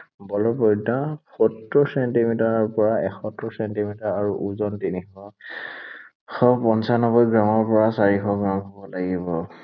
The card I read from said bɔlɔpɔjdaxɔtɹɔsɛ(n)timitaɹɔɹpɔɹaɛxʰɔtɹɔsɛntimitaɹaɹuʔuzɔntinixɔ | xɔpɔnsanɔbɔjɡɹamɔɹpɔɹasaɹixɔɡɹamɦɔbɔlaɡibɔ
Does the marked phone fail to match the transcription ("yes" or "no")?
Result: no